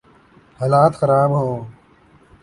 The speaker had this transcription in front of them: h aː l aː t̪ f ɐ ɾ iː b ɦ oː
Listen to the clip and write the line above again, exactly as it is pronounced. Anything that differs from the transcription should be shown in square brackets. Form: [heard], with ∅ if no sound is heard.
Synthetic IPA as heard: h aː l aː t̪ [x] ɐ ɾ [aː] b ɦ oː